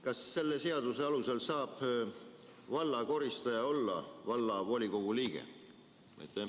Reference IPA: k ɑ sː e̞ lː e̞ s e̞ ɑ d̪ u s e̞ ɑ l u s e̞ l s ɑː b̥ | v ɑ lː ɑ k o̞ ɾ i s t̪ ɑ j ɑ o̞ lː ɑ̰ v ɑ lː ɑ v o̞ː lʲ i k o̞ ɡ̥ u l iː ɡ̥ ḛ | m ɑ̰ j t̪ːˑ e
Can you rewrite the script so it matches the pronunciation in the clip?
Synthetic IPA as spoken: k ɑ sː e̞ lː e̞ s e̞ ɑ d̪ u s e̞ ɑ l u s e̞ l s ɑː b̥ | v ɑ lː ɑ k o̞ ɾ i s t̪ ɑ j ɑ o̞ lː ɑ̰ v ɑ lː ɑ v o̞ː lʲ i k o̞ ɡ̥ u l iː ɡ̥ ḛ | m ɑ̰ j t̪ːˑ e